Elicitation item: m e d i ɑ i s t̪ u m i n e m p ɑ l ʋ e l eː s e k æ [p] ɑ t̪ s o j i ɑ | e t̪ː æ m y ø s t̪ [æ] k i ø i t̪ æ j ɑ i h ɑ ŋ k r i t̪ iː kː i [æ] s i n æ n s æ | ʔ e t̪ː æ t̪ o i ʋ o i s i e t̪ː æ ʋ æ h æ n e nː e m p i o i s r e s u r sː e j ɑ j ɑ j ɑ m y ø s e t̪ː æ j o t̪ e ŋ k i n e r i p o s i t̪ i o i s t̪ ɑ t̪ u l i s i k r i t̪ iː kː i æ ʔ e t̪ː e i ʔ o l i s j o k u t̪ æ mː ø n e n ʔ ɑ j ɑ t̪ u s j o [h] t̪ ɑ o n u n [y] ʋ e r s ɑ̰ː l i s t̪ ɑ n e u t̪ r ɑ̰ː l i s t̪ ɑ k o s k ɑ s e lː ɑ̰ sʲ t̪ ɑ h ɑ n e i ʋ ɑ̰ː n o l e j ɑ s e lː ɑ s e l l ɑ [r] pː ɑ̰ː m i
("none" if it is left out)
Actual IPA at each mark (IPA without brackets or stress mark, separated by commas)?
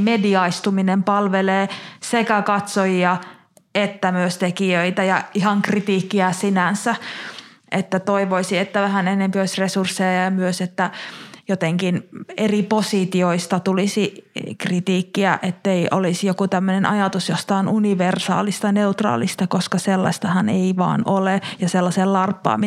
k, e, æ, s, i, r